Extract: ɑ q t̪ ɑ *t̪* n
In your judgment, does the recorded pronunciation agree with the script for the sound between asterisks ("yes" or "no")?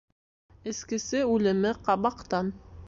no